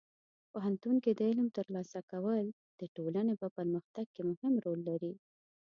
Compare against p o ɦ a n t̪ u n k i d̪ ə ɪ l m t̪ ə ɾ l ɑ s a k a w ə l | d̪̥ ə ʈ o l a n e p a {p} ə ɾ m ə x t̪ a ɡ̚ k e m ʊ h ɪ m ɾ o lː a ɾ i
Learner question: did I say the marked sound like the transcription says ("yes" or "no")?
yes